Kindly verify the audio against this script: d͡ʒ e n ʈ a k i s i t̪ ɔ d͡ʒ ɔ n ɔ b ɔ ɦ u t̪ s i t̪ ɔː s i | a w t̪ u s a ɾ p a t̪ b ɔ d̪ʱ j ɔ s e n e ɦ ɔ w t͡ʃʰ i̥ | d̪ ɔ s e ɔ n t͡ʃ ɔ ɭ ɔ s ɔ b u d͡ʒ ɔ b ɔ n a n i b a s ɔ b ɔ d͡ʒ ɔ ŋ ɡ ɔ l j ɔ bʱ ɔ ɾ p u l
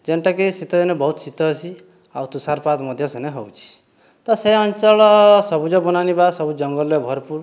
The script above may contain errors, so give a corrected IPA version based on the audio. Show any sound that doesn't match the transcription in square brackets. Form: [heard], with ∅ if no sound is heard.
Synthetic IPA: d͡ʒ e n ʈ a k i s i t̪ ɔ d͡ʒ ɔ n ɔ b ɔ ɦ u t̪ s i t̪ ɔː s i | a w t̪ u s a ɾ p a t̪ [m] ɔ d̪ʱ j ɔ s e n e ɦ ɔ w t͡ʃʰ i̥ | [t̪] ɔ s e ɔ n t͡ʃ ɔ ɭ ɔ s ɔ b u d͡ʒ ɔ b ɔ n a n i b a s ɔ b [u] d͡ʒ ɔ ŋ ɡ ɔ l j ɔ bʱ ɔ ɾ p u [ɾ]